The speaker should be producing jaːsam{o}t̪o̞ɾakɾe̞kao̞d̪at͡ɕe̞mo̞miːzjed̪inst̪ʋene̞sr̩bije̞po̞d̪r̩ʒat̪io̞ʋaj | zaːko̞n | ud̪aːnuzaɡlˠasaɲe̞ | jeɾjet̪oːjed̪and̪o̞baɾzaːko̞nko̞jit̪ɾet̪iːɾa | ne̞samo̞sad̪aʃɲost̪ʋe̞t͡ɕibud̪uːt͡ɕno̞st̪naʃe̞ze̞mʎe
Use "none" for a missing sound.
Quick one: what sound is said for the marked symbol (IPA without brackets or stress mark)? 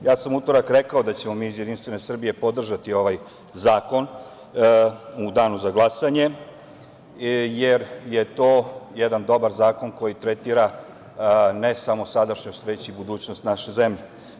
u